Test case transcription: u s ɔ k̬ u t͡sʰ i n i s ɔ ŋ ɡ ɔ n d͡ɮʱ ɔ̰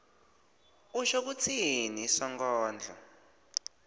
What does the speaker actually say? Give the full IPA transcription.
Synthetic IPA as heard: u ʃ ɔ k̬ u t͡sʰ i n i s ɔ ŋ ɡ ɔː n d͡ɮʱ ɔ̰